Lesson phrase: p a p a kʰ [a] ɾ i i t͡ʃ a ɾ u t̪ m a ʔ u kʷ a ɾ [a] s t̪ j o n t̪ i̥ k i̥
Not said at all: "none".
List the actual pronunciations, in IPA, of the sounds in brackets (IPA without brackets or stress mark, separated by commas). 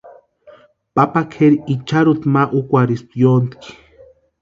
e, i